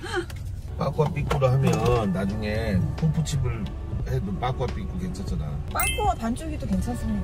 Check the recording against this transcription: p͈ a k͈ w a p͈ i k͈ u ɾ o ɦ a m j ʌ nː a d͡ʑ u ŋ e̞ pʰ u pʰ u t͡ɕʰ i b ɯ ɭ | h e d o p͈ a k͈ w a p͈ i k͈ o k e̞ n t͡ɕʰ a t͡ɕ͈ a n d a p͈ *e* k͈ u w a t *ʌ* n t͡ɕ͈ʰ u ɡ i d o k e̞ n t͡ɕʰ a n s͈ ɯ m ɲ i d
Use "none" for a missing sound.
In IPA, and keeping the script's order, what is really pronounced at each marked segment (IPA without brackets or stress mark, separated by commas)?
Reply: a, a